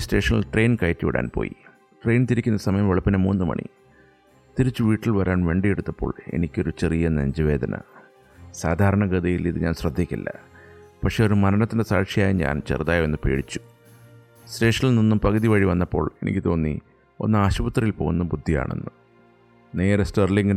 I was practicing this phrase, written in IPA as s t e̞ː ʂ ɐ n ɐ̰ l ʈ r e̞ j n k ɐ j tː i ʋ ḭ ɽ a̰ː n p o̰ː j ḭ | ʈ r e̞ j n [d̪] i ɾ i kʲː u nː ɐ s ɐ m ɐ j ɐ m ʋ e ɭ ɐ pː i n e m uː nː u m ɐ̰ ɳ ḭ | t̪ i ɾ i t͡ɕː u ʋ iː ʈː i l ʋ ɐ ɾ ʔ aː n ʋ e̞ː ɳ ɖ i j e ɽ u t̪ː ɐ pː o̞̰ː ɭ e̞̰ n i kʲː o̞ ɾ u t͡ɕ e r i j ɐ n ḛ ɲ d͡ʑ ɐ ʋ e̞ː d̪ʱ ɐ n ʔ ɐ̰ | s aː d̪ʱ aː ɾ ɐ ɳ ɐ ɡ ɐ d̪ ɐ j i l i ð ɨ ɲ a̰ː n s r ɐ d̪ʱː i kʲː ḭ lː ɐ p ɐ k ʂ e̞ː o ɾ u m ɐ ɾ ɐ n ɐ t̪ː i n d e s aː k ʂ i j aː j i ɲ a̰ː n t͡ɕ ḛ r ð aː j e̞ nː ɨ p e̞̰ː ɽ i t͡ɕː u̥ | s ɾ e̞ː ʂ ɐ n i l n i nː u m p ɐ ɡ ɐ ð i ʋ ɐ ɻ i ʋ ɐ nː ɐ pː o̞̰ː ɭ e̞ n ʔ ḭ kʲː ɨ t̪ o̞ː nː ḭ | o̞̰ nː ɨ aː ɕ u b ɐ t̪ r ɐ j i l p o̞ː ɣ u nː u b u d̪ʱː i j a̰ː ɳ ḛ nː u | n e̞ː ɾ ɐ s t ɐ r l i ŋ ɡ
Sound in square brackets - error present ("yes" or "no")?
yes